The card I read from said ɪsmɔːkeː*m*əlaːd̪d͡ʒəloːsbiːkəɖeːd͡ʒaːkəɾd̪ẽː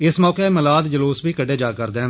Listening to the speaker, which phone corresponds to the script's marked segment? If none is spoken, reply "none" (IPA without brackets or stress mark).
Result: m